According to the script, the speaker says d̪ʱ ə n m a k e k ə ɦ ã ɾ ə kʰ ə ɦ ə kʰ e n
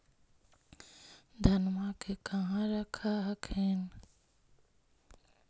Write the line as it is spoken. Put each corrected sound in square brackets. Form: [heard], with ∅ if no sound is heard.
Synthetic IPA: d̪ʱ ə n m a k e k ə ɦ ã ɾ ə kʰ [a] ɦ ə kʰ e n